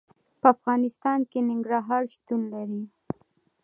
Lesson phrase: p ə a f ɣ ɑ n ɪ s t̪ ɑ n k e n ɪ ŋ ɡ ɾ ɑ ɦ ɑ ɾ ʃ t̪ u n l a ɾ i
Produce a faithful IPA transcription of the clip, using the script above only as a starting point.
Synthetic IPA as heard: p ə a f ɣ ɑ n ɪ s t̪ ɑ n k e n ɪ ŋ ɡ ɾ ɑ ɦ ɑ ɾ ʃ t̪ u n l a ɾ i